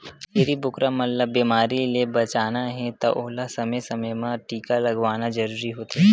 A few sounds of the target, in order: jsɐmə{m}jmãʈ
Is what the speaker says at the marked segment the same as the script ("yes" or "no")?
no